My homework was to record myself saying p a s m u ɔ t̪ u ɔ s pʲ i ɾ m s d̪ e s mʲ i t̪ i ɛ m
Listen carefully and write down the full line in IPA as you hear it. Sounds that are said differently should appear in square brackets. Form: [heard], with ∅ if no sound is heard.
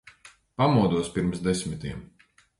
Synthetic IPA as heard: p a [∅] m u ɔ [d̪] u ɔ s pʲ i ɾ m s d̪ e s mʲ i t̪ i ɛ m